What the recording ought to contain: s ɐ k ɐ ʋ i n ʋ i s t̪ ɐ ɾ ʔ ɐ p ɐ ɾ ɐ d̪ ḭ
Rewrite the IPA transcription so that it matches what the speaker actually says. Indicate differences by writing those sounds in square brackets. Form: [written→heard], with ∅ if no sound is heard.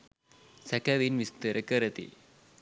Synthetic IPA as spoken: s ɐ k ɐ ʋ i n ʋ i s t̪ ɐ ɾ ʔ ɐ [p→k] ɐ ɾ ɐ [d̪→t̪] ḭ

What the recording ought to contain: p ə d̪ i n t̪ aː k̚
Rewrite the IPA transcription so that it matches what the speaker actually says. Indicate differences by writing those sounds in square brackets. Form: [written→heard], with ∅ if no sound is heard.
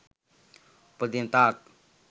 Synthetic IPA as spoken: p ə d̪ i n t̪ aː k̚

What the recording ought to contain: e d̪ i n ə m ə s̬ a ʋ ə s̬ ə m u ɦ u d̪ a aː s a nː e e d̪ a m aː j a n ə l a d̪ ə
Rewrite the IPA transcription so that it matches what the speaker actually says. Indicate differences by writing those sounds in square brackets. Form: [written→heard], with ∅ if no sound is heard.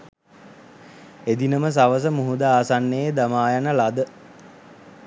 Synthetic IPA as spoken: e d̪ i n ə m ə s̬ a ʋ ə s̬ ə m u ɦ u d̪ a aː s a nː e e d̪ a m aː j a n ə l a d̪ ə

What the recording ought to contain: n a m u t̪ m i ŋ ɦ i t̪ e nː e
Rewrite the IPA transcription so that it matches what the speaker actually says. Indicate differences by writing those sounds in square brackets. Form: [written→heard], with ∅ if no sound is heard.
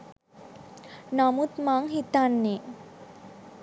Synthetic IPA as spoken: n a m u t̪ m [i→a] ŋ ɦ i t̪ [e→a] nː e

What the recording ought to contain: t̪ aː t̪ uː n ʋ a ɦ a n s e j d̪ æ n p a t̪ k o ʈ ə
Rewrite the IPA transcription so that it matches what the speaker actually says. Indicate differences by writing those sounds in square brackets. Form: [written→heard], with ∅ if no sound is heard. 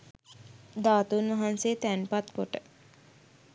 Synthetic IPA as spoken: [t̪→d̪] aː t̪ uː n ʋ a ɦ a n s e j [d̪→t̪] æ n p a t̪ k o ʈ ə

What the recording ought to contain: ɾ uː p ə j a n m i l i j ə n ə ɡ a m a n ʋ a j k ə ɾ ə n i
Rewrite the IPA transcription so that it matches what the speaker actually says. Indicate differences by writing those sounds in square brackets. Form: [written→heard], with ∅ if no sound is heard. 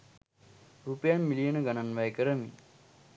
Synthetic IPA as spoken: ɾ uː p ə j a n m i l i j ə n ə ɡ a [m→n] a n ʋ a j k ə ɾ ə [n→m] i

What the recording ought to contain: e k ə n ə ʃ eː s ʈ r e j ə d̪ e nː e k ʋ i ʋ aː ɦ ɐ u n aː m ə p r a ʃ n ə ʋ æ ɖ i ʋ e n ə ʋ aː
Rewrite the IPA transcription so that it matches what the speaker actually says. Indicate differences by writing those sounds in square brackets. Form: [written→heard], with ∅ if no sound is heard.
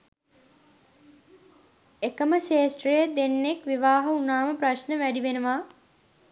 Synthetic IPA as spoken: e k ə [n→m] ə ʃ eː s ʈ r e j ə d̪ e nː e k ʋ i ʋ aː ɦ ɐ u n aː m ə p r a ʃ n ə ʋ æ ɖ i ʋ e n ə ʋ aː

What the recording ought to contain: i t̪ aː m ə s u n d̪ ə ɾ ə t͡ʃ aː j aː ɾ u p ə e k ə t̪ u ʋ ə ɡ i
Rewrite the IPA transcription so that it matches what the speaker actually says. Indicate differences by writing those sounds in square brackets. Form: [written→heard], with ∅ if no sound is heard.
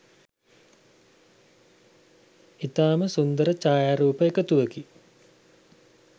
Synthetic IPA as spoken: i t̪ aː m ə s u n d̪ ə ɾ ə t͡ʃ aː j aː ɾ [u→uː] p ə e k ə t̪ u ʋ ə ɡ i

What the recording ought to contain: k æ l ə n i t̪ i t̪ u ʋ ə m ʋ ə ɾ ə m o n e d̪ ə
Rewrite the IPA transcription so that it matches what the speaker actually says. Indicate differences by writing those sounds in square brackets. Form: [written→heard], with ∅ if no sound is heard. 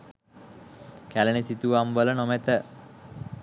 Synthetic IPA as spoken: k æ l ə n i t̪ i t̪ u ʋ [ə→a] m ʋ ə [ɾ→l] ə [m→n] o [n→m] e [d̪→t̪] ə

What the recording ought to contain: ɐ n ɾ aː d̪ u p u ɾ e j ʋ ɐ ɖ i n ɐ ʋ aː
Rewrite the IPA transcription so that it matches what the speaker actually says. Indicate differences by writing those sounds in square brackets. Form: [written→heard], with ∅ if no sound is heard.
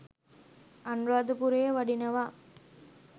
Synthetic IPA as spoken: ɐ n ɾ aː d̪ u p u ɾ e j ʋ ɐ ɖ i n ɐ ʋ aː

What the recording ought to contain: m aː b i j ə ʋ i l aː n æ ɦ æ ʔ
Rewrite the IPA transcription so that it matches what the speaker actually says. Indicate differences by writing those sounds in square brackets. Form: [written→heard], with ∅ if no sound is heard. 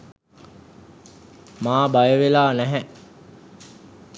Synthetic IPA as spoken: m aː b [i→a] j ə ʋ [i→e] l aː n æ ɦ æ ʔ

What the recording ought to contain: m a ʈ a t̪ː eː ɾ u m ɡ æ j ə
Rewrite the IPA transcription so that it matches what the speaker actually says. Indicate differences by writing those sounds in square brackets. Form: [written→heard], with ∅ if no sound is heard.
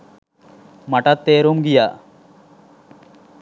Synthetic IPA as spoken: m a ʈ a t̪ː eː ɾ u m ɡ [æ→i] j [ə→a]

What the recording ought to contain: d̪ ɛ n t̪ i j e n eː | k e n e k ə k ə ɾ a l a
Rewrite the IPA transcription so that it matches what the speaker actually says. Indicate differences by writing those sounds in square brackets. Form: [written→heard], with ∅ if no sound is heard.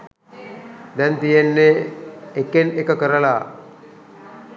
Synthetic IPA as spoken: d̪ ɛ n t̪ i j e [n→nː] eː | k e n e k ə k ə ɾ [a→ə] l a

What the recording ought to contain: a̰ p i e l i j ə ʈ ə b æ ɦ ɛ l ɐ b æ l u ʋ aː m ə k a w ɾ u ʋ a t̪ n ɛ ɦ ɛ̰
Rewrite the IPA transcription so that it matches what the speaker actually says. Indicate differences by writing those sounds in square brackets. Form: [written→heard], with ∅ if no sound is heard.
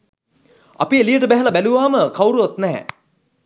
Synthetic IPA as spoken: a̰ p i e l i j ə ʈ ə b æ ɦ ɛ l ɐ b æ l u ʋ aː m ə k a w ɾ u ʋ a t̪ n ɛ ɦ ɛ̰

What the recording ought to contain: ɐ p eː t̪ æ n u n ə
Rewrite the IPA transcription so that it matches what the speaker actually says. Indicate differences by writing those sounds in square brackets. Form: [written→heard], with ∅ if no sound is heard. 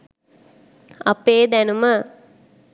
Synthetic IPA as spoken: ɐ p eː [t̪→d̪] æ n u [n→m] ə

